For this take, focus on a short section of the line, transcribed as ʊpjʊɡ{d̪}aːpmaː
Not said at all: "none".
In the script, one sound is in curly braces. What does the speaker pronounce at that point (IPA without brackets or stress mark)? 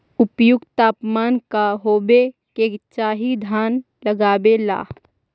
t̪